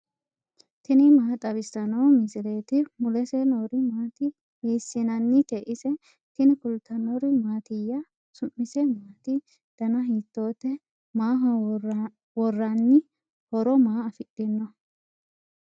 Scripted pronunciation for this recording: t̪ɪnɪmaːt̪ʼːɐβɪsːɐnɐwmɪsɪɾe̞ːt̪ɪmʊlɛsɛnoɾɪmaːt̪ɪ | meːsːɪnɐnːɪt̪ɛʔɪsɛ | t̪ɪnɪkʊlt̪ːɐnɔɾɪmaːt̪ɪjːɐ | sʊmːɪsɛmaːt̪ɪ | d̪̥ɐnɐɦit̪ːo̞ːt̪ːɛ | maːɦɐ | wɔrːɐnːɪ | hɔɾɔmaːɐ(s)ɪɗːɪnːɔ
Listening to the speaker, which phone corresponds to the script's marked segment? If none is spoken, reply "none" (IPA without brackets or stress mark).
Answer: f